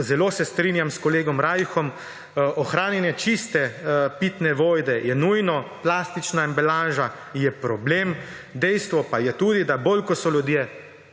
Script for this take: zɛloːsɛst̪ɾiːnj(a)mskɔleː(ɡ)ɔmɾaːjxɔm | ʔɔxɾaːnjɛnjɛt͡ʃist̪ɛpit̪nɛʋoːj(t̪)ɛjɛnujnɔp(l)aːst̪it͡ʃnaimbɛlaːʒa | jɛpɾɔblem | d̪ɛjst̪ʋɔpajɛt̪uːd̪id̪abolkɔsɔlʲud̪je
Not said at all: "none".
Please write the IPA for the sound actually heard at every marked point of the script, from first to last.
a, ɡ, d̪, l

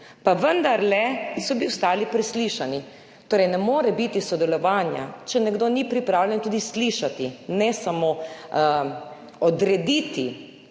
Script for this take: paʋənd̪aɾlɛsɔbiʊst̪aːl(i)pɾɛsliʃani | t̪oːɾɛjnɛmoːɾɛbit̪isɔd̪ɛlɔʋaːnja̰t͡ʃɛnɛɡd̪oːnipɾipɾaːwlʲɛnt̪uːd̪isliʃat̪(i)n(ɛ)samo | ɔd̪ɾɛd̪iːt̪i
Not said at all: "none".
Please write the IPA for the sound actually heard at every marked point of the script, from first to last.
i, i, ɛ

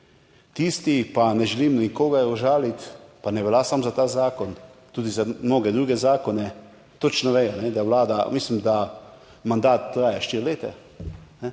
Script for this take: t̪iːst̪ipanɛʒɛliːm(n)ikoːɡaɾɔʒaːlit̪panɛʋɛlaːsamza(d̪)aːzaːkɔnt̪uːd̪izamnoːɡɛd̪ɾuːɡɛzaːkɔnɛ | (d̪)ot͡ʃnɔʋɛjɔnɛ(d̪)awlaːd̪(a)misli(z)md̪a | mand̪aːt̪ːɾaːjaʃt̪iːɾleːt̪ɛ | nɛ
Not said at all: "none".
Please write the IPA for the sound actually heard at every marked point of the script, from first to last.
n, t̪, t̪, d̪, a, none

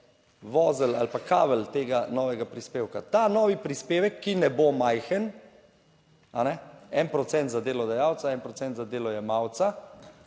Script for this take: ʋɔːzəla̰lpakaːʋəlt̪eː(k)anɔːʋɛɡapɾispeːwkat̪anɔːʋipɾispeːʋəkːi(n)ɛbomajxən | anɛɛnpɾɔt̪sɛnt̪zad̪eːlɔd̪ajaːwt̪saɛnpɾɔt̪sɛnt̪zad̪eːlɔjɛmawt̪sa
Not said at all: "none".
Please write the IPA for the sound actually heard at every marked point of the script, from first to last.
ɡ, n

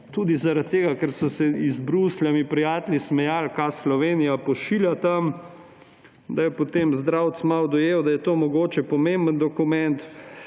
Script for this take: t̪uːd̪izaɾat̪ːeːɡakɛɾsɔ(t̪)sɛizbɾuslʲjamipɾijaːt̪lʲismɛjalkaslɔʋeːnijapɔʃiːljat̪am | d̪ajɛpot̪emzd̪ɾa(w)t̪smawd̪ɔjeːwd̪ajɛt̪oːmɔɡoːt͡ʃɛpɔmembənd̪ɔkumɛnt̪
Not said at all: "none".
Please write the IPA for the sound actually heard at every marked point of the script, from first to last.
none, w

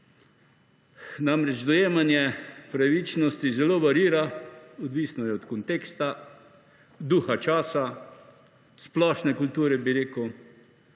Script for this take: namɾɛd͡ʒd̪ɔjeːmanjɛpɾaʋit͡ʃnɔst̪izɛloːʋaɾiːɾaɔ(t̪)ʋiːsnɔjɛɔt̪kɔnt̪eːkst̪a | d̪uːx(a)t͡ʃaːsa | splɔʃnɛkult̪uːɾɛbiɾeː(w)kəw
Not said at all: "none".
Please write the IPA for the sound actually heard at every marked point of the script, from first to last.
d̪, a, none

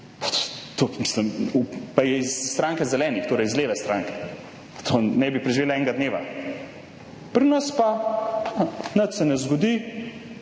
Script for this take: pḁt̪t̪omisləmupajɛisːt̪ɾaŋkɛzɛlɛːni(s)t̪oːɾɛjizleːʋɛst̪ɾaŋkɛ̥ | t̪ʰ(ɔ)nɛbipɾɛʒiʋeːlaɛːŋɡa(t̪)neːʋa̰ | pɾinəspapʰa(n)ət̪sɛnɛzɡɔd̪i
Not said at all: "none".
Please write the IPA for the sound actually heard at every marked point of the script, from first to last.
x, o, d̪, n

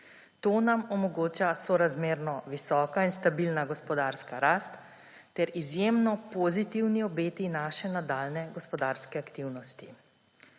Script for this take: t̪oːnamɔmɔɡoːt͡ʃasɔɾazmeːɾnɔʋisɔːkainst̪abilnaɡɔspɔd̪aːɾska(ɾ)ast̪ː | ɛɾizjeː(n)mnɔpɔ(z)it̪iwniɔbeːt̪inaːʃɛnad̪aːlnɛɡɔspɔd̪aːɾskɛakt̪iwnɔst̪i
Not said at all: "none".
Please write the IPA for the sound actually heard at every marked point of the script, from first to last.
ɾ, none, z

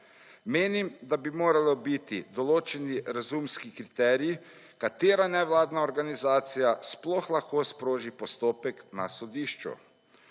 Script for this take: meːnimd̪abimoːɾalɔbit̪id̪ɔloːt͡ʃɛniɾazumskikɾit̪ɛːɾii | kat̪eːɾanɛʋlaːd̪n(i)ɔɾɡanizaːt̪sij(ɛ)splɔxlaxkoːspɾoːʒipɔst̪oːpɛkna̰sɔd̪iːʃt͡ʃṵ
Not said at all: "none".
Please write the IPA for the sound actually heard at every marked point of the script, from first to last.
a, a

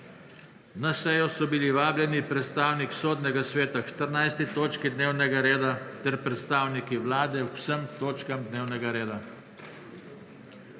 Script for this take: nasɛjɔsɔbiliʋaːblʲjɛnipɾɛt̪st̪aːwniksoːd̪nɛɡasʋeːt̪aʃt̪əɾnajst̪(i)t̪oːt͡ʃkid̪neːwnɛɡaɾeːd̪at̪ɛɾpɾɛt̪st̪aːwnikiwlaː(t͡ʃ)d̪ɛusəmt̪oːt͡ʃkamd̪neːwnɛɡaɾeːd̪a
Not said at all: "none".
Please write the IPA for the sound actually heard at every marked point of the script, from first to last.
i, none

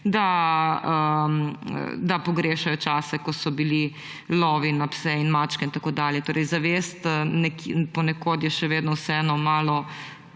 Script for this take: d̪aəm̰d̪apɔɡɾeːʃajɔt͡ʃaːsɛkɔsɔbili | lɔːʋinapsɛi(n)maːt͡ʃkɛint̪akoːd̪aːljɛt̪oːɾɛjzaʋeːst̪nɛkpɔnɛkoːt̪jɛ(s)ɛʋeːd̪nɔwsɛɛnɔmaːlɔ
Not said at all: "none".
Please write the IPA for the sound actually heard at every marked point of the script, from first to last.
n, ʃ

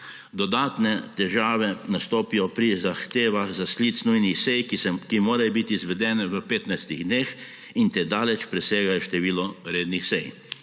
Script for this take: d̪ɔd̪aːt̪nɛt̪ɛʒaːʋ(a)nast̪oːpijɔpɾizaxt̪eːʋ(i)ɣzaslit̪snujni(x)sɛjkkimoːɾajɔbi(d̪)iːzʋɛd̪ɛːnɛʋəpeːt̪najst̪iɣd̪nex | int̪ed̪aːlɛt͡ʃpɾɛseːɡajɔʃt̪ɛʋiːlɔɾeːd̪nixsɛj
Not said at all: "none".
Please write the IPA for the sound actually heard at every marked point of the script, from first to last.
ɛ, a, x, t̪

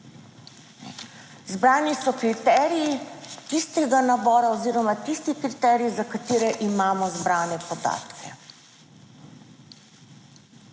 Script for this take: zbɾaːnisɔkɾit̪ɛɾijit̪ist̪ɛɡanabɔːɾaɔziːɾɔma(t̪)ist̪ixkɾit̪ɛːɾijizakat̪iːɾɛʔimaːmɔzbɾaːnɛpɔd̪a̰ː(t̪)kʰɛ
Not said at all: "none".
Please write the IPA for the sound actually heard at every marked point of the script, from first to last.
t̪, t̪

